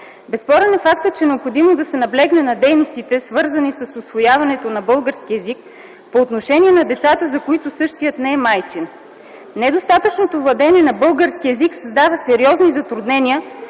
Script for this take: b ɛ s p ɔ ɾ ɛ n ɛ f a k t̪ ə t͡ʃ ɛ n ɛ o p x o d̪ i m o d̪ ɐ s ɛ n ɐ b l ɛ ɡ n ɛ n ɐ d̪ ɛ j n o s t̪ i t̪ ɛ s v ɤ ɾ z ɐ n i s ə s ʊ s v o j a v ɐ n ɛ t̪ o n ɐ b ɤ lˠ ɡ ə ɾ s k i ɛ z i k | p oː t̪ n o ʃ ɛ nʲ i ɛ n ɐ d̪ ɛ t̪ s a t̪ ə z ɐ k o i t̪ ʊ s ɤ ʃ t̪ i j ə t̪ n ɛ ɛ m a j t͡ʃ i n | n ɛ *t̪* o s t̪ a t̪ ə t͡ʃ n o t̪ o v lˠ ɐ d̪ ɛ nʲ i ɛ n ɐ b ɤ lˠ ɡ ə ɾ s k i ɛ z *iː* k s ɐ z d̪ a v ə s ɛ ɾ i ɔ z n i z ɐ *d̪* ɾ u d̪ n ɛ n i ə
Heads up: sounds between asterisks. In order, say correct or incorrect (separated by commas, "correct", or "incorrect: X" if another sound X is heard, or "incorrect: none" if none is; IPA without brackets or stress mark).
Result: incorrect: d̪, incorrect: i, incorrect: t̪